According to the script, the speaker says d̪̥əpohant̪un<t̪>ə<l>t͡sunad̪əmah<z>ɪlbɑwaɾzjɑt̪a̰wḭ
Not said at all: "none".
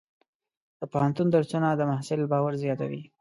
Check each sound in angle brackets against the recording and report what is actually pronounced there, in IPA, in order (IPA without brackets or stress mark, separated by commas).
d̪, ɾ, s